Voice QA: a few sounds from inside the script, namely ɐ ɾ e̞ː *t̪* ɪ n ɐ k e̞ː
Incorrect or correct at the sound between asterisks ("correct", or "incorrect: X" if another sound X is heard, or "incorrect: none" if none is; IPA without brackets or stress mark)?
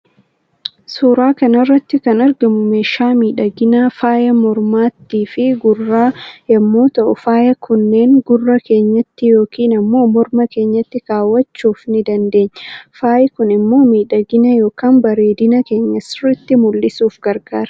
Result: incorrect: d̪